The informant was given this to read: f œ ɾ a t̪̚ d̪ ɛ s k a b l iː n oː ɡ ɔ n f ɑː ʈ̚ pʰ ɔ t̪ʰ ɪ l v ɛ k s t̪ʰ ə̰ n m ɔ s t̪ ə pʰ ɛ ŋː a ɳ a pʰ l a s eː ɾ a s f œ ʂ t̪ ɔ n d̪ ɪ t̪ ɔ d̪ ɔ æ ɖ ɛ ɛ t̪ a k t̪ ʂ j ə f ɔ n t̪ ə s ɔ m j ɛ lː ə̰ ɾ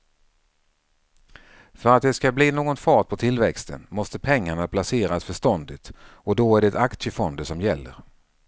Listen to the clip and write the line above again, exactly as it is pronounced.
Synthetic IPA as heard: f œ ɾ a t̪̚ d̪ ɛ s k a b l iː n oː ɡ ɔ n f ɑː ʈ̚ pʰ ɔ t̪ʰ ɪ l v ɛ k s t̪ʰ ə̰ n m ɔ s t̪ ə pʰ ɛ ŋː a ɳ a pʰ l a s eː ɾ a s f œ ʂ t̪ ɔ n d̪ ɪ t̪ ɔ d̪ ɔ æ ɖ ɛ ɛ t̪ a k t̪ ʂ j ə f ɔ n d̪ ə s ɔ m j ɛ lː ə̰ ɾ